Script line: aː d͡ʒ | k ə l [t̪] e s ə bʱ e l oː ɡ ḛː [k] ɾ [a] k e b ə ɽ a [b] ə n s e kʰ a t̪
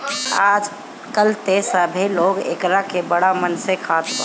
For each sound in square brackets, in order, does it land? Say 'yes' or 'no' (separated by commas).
yes, yes, yes, no